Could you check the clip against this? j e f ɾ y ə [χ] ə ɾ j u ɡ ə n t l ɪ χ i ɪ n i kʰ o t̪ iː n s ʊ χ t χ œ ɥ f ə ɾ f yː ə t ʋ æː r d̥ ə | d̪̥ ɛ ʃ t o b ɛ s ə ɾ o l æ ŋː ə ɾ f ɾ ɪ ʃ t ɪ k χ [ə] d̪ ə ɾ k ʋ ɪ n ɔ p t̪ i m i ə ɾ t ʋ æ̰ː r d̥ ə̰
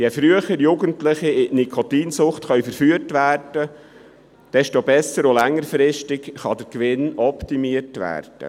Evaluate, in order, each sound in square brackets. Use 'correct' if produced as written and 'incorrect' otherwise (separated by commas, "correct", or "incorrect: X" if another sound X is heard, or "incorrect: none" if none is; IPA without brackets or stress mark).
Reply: correct, incorrect: ɑ